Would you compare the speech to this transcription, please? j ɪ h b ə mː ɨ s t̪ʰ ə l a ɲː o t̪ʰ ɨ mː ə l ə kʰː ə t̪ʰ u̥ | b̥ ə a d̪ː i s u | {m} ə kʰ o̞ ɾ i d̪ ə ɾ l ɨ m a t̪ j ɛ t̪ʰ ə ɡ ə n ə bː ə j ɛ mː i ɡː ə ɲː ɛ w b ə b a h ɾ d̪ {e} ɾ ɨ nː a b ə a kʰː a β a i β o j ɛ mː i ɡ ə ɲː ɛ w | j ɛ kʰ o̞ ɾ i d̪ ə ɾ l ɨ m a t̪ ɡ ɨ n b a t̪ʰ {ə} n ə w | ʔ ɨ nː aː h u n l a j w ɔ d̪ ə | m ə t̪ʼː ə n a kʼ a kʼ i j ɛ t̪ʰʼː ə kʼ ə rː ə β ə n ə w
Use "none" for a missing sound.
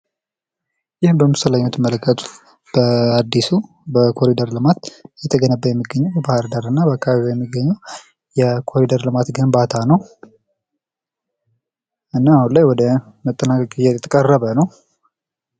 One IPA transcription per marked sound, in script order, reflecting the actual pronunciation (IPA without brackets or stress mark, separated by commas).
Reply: b, a, a